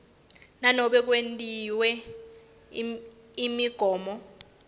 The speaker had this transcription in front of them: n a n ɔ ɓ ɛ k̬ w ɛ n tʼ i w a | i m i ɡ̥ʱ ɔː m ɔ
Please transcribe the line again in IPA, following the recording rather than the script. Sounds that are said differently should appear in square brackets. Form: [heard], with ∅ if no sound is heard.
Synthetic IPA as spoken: n a n ɔ ɓ ɛ k̬ w [e] n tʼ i w [ɛ] | i m i ɡ̥ʱ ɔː m ɔ